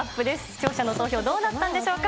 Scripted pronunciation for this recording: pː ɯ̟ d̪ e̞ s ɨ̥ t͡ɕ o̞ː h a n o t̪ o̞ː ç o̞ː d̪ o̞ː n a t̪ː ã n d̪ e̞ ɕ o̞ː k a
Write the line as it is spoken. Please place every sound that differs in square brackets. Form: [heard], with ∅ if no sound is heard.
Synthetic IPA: pː ɯ̟ d̪ e̞ s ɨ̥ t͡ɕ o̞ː [ɕ] a n o t̪ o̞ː ç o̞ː d̪ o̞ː n a t̪ː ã n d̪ e̞ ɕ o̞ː k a